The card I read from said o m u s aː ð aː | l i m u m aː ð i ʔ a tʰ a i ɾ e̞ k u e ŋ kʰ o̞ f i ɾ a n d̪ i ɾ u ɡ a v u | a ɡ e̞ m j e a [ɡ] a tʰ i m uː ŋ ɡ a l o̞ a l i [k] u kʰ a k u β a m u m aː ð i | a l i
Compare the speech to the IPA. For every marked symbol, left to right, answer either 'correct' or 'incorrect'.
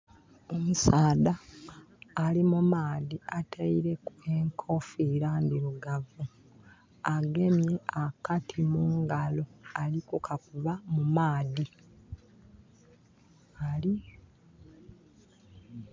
incorrect, correct

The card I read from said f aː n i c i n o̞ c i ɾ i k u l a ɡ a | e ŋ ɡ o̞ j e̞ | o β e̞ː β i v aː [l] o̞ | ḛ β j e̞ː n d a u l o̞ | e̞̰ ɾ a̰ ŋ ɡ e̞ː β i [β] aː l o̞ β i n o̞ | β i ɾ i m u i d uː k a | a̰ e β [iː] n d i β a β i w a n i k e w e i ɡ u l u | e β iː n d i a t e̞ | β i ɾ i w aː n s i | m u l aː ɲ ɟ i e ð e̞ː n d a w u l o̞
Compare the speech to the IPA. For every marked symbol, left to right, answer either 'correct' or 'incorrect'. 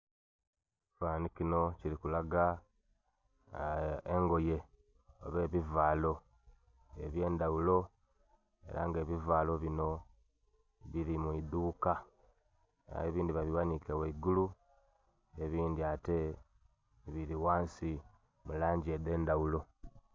correct, incorrect, correct

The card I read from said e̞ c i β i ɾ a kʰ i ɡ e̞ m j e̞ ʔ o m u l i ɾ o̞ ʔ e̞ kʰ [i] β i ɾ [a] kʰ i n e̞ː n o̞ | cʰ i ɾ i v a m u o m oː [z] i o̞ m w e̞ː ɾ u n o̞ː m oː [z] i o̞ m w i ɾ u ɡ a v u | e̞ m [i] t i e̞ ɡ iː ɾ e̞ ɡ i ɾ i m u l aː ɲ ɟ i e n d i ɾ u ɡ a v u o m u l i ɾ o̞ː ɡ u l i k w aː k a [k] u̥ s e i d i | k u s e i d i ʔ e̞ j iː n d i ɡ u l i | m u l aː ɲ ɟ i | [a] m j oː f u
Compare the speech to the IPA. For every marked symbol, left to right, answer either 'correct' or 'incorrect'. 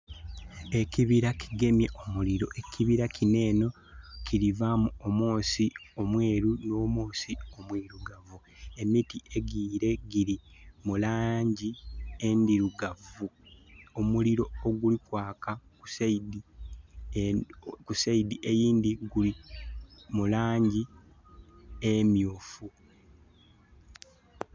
correct, correct, incorrect, incorrect, correct, correct, incorrect

